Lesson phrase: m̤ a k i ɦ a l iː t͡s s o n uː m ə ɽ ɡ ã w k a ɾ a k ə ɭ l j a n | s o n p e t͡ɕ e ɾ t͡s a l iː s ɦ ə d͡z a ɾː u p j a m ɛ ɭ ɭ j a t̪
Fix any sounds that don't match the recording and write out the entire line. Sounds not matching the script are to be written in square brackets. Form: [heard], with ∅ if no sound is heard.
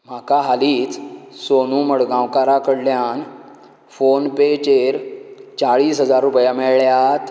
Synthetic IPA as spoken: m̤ a k [a] ɦ a l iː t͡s s o n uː m ə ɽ ɡ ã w k a ɾ a k ə [ɽ] l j a n | [f] o n p e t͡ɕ e ɾ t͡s a [ɭ] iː s ɦ ə d͡z a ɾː u p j a m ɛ ɭ ɭ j a t̪